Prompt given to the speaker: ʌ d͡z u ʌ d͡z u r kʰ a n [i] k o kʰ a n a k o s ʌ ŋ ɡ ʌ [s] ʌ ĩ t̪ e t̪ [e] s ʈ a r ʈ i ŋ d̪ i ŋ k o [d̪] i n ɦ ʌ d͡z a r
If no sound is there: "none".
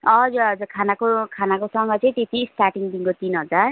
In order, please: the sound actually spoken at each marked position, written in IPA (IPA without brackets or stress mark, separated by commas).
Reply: a, t͡s, i, t̪